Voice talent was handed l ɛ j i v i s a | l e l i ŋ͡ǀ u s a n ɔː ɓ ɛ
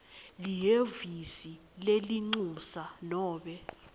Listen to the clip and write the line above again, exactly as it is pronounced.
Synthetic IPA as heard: l i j e v i s i | l e l i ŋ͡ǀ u s a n ɔː ɓ ɛ